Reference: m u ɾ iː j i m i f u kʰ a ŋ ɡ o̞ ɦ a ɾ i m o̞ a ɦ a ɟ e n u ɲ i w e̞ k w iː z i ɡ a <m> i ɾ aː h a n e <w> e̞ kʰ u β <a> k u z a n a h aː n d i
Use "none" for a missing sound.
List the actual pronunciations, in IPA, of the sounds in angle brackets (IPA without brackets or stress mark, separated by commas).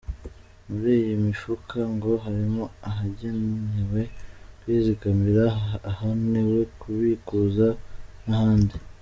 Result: m, w, i